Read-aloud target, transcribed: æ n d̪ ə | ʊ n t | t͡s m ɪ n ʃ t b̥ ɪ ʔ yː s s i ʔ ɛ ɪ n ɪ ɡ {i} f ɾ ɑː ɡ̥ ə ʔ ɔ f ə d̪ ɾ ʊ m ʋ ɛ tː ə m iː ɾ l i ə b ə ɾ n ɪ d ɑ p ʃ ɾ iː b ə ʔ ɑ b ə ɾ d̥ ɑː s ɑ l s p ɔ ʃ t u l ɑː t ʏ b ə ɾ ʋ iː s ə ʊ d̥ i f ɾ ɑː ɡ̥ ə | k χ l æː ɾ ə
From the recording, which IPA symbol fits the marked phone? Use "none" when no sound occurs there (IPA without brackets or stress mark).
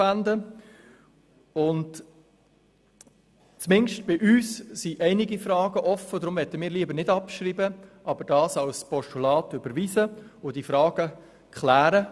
i